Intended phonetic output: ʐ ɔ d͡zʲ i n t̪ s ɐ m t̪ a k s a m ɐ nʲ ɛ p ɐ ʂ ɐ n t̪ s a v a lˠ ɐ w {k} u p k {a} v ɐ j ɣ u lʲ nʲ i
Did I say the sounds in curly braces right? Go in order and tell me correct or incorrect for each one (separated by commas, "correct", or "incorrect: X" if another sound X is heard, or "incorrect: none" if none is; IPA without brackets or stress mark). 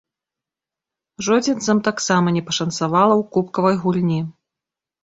correct, incorrect: ɐ